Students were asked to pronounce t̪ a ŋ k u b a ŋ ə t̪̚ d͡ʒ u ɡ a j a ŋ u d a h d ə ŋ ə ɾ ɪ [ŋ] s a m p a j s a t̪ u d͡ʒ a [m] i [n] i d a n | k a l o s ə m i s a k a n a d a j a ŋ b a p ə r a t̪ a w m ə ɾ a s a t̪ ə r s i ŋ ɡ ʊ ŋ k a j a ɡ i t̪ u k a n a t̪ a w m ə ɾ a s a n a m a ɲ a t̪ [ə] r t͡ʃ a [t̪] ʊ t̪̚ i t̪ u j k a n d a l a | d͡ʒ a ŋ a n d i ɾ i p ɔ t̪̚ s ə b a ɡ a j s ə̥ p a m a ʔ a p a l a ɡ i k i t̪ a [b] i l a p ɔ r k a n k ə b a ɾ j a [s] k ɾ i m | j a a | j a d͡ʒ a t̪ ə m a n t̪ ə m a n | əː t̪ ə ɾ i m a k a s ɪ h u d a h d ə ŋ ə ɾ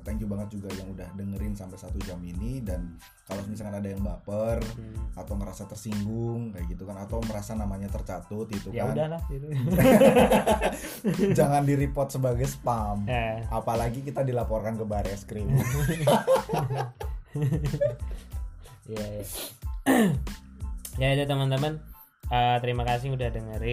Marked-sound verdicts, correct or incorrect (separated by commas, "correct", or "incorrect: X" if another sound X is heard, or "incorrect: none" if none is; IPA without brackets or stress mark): incorrect: n, correct, correct, correct, correct, incorrect: d, correct